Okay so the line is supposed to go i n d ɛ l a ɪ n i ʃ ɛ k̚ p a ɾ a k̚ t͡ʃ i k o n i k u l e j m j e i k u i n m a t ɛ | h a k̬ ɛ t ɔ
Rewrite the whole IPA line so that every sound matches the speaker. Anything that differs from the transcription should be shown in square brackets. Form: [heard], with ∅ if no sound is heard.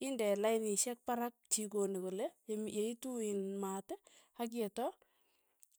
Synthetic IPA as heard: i n d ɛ l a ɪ n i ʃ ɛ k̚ p a ɾ a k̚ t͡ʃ i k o n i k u l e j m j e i [t] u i n m a t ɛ | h a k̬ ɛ t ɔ

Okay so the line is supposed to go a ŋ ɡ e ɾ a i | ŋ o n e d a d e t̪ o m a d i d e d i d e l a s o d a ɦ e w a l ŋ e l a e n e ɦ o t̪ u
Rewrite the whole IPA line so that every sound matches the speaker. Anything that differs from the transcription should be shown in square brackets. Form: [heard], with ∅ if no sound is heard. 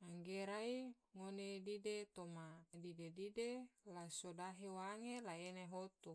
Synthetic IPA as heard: a ŋ ɡ e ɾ a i | ŋ o n e d [i] d e t̪ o m a d i d e d i d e l a s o d a ɦ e w a [∅] ŋ e l a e n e ɦ o t̪ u

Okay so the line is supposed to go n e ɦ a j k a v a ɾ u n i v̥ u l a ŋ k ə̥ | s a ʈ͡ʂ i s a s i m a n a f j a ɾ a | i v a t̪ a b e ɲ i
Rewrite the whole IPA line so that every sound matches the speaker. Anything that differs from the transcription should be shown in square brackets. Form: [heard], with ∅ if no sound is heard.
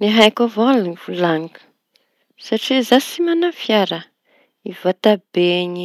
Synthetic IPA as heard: n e ɦ a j k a v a [l] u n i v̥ u l a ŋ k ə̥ | s a ʈ͡ʂ i [z] a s i m a n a f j a ɾ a | i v a t̪ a b e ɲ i

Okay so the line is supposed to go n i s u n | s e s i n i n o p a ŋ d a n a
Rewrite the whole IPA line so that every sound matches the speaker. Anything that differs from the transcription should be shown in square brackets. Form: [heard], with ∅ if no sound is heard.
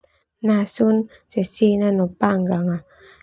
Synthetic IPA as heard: n [a] s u n | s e s i n [a] n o p a ŋ [ɡ] a [ŋ] a

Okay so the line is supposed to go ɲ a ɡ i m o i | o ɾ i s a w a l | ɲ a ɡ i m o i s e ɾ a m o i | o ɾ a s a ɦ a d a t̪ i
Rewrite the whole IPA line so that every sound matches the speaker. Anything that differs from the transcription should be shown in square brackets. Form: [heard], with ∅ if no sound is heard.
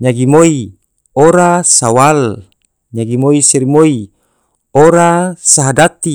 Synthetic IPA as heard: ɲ a ɡ i m o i | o ɾ [a] s a w a l | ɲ a ɡ i m o i s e ɾ [i] m o i | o ɾ a s a ɦ a d a t̪ i

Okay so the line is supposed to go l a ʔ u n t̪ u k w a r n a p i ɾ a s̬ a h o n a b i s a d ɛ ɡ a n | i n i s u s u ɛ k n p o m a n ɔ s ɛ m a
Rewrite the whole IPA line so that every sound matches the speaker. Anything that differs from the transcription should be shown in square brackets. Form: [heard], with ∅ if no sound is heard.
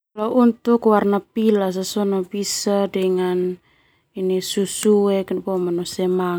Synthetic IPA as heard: l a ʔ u n t̪ u k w a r n a p i [l] a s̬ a [s] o n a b i s a d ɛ [ŋ] a n | i n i s u s u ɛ k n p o m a n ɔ s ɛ m a

